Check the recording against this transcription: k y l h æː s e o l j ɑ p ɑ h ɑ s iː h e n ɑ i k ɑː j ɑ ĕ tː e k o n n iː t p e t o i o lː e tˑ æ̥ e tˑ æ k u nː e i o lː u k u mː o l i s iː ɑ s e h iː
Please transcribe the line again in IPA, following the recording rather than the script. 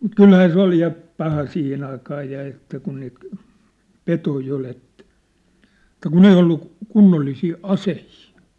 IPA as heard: k y l h æː s e o l j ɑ p ɑ h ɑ s iː h e n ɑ i k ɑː j ɑ ĕ tː æ k u n n iː t p e t o i o l e tˑ æ̥ e tˑ æ k u n e i o lː u k u nː o lː i s iː ɑ s e h iː

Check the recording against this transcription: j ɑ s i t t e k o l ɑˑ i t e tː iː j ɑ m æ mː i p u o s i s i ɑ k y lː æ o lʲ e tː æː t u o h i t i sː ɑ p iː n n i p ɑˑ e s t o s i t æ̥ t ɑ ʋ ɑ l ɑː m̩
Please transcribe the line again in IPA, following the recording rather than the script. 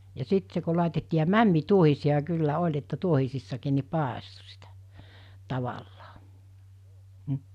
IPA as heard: j ɑ s i t s e k o l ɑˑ i t e tː iː j ɑ m æ mː i t u o h i s i ɑ k y lː æ o lʲ e tː æ t u o h i s i sː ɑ k iː n n i p ɑˑ e s t o s i t æ̥ t ɑ ʋ ɑ lː ɑː m̩

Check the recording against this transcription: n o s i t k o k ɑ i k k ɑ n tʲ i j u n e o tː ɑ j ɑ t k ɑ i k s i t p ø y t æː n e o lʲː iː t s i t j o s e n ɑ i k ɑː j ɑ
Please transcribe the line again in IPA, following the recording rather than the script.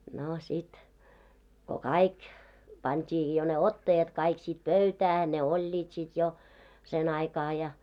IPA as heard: n o s i t k o k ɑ i k p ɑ n tʲ iː j o n e o tː ɑ j ɑ t k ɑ i k s i t p ø y t æː n e o lʲː iː t s i t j o s e n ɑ i k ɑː j ɑ

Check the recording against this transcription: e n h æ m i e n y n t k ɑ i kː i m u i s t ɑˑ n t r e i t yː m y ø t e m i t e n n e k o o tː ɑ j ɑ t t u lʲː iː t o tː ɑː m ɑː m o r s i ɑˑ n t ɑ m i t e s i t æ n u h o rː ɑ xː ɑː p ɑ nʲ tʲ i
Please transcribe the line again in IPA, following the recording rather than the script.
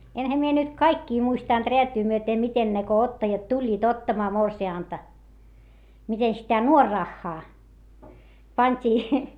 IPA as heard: e n h æ m i e n y t k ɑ i kː iː m u i s t ɑˑ n t r e æ t yː m y ø t e m i t e n n e k o o tː ɑ j ɑ t t u lʲː iː t o tː ɑ m ɑː m o r s i ɑˑ n t ɑ m i t e s i t æ n u o rː ɑ xː ɑː p ɑ nʲ tʲ iː

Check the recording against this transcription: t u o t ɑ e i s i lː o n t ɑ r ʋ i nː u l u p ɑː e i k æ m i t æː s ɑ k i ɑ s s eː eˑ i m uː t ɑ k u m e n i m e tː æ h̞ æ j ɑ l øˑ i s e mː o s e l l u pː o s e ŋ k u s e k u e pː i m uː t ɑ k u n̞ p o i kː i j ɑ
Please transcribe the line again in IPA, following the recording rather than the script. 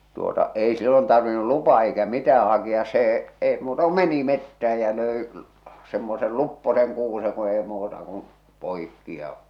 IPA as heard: t u o t ɑ e i s i lː o n t ɑ r ʋ i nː u l u p ɑː e i k æ m i t æː h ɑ k i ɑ s s eː eˑ i m uː t ɑ k u m e n i m e tː æ h̞ æ j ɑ l øˑ i s e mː o s e l l u pː o s e ŋ k uː s e k u e i m uː t ɑ k u n̞ p o i kː i j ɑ

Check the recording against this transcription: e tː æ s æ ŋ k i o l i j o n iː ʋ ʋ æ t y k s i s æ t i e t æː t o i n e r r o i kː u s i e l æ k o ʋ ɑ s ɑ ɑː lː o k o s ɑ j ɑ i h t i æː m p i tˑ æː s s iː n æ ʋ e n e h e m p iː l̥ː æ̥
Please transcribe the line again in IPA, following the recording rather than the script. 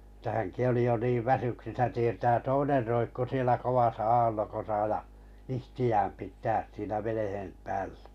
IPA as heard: e tː æ h æ ŋ k i o l i j o n iː ʋ ʋ æ s y k s i s æ t i e t æː t o i n e r r o i kː u s i e l æ k o ʋ ɑ s ɑ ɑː lː o k o s ɑ j ɑ i h t i æː m p i tˑ æː s s iː n æ ʋ e n e h e m p æː l̥ː æ̥

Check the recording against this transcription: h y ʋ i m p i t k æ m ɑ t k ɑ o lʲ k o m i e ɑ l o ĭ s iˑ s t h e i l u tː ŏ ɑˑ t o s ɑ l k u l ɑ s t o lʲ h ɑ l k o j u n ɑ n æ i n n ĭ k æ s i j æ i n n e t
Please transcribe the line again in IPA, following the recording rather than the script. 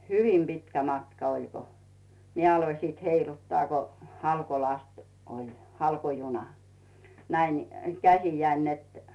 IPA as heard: h y ʋ i m p i t k æ m ɑ t k ɑ o lʲ k o m i e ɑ l o ĭ s iˑ t h e i l u tː ŏ ɑˑ k o h ɑ l k o l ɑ s t o lʲ h ɑ l k o j u n ɑ n æ i n n ĭ k æ s i j æ i n n e t

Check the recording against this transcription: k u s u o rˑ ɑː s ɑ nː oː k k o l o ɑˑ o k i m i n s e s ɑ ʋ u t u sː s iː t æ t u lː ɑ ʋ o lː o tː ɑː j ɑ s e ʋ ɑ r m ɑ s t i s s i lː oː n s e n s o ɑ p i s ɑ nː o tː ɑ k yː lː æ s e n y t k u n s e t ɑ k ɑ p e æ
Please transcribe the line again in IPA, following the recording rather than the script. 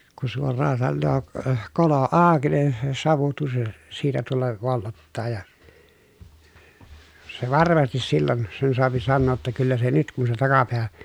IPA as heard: k u s u o rˑ ɑː s ɑ nː oː k k o l o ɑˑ o k i n i n s e s ɑ ʋ u t u sː s iː t æ t u lː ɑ ʋ o lː o tː ɑː j ɑ s e ʋ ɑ r m ɑ s t i s s i lː o n s e n s o ɑ p i s ɑ nː oː tː ɑ k y lː æ s e n y t k u n s e t ɑ k ɑ p e æ

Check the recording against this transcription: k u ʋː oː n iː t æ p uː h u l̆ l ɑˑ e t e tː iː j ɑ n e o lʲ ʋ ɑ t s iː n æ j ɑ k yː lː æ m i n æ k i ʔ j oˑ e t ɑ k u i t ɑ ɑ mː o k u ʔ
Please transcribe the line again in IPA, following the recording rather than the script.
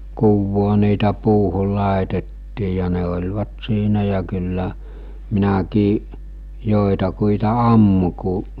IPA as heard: k u ʋː oː n iː t æ p uː h u l̆ l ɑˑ e t e tː iː j ɑ n e o lʲ ʋ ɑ t s iː n æ j ɑ k y lː æ m i n æ k iː ʔ j oˑ e t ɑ k u i t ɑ ɑ mː u k u ʔ

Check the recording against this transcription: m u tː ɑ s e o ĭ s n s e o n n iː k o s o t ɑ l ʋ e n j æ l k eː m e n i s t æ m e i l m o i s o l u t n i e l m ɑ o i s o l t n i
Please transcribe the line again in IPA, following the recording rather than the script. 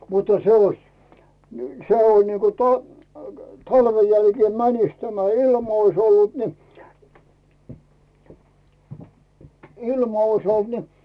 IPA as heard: m u tː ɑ s e o ĭ s n s e o n n iː k o t o t ɑ l ʋ e n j æ l k eː m æ n i s t æ m æ i l m o i s o lː u t n i i l m ɑ o i s o l t n i

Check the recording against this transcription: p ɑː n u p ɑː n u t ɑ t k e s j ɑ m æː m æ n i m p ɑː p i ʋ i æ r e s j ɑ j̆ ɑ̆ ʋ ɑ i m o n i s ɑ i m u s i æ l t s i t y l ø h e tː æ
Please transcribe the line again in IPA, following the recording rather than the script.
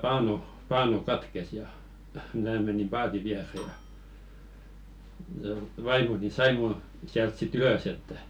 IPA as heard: p ɑː n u p ɑː n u k ɑ t k e s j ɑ m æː m e n i m p ɑː t i ʋ i æ r e j ɑ j̆ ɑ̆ ʋ ɑ i m o n i s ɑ i m u s i æ l t s i t y l ø s e tː æ

